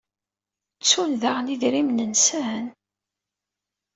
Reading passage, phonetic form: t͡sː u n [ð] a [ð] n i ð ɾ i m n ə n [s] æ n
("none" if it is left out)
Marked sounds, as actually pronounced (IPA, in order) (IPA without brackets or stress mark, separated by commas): ð, ʁ, s